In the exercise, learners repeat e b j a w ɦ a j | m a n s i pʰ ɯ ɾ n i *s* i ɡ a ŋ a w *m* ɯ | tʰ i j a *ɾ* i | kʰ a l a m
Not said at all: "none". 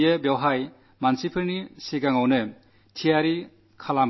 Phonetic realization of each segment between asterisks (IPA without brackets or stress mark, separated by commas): s, n, ɾ